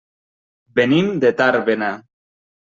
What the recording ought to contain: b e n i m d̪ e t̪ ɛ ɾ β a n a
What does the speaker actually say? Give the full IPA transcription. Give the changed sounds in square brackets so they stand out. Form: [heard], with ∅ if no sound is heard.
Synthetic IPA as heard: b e n i m d̪ e t̪ [a] ɾ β [e] n a